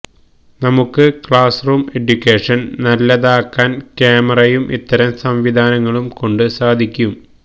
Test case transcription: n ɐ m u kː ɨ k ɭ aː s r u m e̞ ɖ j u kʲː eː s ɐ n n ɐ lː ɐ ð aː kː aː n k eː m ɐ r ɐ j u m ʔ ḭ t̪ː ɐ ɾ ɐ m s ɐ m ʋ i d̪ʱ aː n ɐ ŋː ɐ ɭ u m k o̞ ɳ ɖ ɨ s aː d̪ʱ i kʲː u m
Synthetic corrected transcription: n ɐ m u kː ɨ k ɭ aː s r uː m e̞ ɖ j u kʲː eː ʂ ɐ n n ɐ lː ɐ ð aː kː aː n k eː m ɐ r ɐ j u m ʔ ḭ t̪ː ɐ ɾ ɐ m s ɐ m ʋ i d̪ʱ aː n ɐ ŋː ɐ ɭ u m k o̞ ɳ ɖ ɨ s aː d̪ʱ i kʲː u m

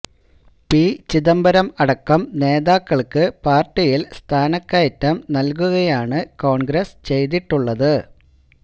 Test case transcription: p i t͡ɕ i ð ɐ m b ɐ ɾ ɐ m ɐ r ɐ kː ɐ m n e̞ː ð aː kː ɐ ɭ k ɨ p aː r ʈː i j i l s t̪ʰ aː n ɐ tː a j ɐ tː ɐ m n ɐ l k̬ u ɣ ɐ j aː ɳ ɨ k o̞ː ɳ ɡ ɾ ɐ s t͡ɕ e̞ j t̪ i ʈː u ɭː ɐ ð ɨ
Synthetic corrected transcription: p i t͡ɕ i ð ɐ m b ɐ ɾ ɐ m ɐ ɽ ɐ kː ɐ m n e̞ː ð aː kː ɐ ɭ k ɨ p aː r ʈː i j i l s t̪ʰ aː n ɐ kː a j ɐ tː ɐ m n ɐ l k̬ u ɣ ɐ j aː ɳ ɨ k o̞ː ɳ ɡ ɾ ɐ s t͡ɕ e̞ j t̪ i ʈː u ɭː ɐ ð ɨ

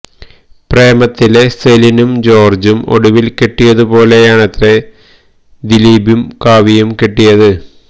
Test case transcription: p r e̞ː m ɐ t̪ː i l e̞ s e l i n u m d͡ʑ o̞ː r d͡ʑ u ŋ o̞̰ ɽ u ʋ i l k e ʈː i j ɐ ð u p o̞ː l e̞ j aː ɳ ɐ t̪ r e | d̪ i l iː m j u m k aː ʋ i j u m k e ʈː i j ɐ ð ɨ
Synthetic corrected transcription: p r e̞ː m ɐ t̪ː i l e̞ s e l i n u m d͡ʑ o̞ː r d͡ʑ u m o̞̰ ɽ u ʋ i l k e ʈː i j ɐ ð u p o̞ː l e̞ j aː ɳ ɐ t̪ r e | d̪ i l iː b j u m k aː ʋ i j u m k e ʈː i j ɐ ð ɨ

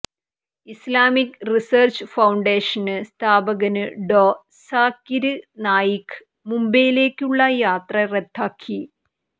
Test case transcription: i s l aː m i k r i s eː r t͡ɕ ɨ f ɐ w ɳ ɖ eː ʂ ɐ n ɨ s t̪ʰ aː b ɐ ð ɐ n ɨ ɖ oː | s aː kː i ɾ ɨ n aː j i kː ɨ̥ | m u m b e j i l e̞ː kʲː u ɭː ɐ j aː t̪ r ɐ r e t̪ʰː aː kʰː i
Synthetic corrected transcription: i s l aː m i k r i s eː r t͡ɕ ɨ f ɐ w ɳ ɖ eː ʂ ɐ n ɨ s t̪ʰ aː b ɐ ɣ ɐ n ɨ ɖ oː | s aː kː i ɾ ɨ n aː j i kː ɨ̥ | m u m b e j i l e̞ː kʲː u ɭː ɐ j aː t̪ r ɐ r e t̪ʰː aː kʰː i

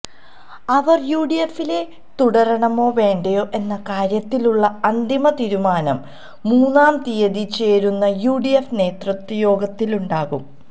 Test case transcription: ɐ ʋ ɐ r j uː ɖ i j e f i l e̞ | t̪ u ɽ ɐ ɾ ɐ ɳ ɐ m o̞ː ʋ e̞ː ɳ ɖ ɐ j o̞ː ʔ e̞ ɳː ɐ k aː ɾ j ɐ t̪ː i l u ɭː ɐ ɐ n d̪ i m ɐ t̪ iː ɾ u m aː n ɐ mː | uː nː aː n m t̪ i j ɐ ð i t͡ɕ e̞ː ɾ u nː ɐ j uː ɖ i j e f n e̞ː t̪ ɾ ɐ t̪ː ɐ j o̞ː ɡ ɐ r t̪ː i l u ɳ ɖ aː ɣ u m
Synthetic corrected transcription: ɐ ʋ ɐ r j uː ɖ i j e f i l e̞ | t̪ u ɽ ɐ ɾ ɐ ɳ ɐ m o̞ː ʋ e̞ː ɳ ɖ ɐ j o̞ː ʔ e̞ nː ɐ k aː ɾ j ɐ t̪ː i l u ɭː ɐ ɐ n d̪ i m ɐ t̪ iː ɾ u m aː n ɐ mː | uː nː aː m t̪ i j ɐ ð i t͡ɕ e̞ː ɾ u nː ɐ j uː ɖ i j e f n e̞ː t̪ r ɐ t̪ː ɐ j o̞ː ɡ ɐ t̪ː i l u ɳ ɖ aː ɣ u m

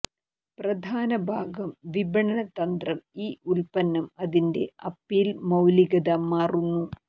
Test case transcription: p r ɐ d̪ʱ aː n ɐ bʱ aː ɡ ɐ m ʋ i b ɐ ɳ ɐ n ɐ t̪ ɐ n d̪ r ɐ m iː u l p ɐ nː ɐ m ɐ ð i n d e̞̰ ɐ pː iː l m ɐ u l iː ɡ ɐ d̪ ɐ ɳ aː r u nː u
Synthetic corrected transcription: p r ɐ d̪ʱ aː n ɐ bʱ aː ɡ ɐ m ʋ i b ɐ ɳ ɐ n ɐ t̪ ɐ n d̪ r ɐ m iː u l p ɐ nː ɐ m ɐ ð i n d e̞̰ ɐ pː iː l m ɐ w l i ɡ ɐ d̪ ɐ m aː r u nː u

